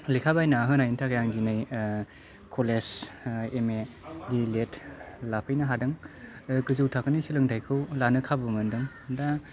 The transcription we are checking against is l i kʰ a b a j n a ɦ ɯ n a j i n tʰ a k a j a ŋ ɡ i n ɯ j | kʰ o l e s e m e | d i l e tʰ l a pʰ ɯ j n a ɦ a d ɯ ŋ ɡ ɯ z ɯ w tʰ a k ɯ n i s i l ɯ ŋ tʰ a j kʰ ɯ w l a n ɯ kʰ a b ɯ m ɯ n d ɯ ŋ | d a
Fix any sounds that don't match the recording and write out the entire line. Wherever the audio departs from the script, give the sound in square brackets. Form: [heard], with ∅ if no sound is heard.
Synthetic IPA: l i kʰ a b a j n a ɦ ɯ n a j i n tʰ a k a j a ŋ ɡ i n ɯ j | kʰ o l e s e m e | d i l e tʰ l a pʰ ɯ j n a ɦ a d ɯ ŋ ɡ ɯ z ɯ w tʰ a k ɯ n i s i l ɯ ŋ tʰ a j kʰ ɯ w l a n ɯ kʰ a b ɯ m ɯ n d ɯ ŋ | d a

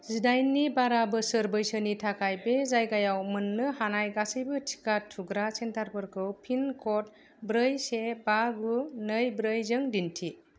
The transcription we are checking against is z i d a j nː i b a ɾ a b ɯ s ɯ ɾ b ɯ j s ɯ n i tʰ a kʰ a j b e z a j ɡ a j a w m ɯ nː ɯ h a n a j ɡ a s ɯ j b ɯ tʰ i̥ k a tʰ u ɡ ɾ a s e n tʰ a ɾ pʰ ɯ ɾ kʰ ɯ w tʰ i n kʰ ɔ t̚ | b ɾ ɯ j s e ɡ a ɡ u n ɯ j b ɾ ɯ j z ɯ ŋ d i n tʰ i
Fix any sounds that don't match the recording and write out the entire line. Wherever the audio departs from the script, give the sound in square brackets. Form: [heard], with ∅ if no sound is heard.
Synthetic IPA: z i d a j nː i b a ɾ a b ɯ s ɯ ɾ b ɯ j s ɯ n i tʰ a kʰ a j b e z a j ɡ a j a w m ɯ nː ɯ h a n a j ɡ a s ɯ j b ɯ tʰ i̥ k a tʰ u ɡ ɾ a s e n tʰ a ɾ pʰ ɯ ɾ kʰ ɯ w [pʰ] i n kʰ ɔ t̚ | b ɾ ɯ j s e [b] a ɡ u n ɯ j b ɾ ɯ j z ɯ ŋ d i n tʰ i

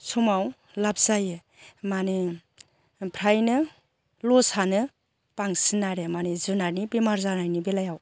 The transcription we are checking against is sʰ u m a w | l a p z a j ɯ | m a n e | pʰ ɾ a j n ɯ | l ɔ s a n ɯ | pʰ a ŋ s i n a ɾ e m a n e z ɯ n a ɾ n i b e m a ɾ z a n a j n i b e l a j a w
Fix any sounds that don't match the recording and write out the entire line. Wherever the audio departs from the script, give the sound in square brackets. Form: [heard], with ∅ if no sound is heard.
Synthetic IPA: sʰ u m a w | l a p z a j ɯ | m a n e | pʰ ɾ a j n ɯ | l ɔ s a n ɯ | [p] a ŋ s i n a ɾ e m a n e z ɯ n a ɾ n i b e m a ɾ z a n a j n i b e l a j a w

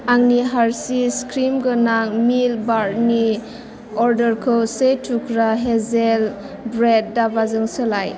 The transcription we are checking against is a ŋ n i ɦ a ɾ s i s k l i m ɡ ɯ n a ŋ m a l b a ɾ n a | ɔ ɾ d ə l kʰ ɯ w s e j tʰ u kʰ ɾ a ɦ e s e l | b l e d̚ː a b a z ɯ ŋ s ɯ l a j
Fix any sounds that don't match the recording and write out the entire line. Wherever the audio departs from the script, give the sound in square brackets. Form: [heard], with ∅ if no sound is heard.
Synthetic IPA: a ŋ n i ɦ a ɾ s i s k [ɾ] i m ɡ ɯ n a ŋ m [i] l b a ɾ n [i] | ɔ ɾ d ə [ɾ] kʰ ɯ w s e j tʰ u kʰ ɾ a ɦ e [z] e l | b [ɾ] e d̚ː a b a z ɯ ŋ s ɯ l a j

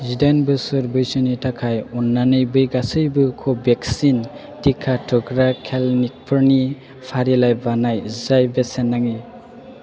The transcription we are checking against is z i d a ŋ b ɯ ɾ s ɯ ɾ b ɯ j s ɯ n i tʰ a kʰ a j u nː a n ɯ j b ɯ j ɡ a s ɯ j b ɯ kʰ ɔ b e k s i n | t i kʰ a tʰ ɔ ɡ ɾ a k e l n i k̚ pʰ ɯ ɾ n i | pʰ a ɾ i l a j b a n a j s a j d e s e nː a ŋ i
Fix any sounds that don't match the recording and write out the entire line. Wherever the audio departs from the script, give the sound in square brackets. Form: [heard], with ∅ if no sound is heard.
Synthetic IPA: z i d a [n] b ɯ [∅] s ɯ ɾ b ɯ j s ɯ n i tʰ a kʰ a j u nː a n ɯ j b ɯ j ɡ a s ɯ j b ɯ kʰ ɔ b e k s i n | t i kʰ a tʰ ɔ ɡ ɾ a [kʰ] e l n i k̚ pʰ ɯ ɾ n i | pʰ a ɾ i l a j b a n a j [z] a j [b] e s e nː a ŋ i

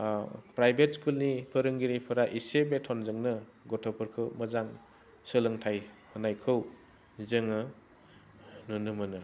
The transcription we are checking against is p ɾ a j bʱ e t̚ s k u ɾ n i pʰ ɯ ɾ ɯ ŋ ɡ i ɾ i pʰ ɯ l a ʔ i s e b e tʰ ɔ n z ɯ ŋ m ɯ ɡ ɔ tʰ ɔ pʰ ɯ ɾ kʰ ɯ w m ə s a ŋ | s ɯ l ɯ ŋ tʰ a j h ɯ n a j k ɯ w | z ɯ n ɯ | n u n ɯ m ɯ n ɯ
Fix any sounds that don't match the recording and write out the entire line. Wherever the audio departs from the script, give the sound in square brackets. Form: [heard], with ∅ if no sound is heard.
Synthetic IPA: p ɾ a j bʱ e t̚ s k u [l] n i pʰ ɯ ɾ ɯ ŋ ɡ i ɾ i pʰ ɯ [ɾ] a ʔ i s e b e tʰ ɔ n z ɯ ŋ [n] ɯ ɡ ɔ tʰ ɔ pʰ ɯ ɾ kʰ ɯ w m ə [z] a ŋ | s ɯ l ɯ ŋ tʰ a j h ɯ n a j [kʰ] ɯ w | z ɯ [ŋ] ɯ | n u n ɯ m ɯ n ɯ

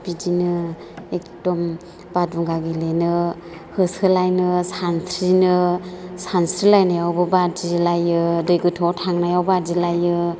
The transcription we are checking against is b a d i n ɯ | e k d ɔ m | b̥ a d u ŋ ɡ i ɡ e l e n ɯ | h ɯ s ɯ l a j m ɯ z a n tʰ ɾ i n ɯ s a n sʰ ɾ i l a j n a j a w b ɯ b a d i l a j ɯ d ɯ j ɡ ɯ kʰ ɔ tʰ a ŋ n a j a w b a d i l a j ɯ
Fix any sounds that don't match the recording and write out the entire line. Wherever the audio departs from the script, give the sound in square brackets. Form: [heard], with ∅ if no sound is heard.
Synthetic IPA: b [i] d i n ɯ | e k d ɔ m | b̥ a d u ŋ ɡ [a] ɡ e l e n ɯ | h ɯ s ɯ l a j [n] ɯ [s] a n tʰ ɾ i n ɯ s a n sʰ ɾ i l a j n a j a w b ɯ b a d i l a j ɯ d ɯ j ɡ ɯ [tʰ] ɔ tʰ a ŋ n a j a w b a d i l a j ɯ

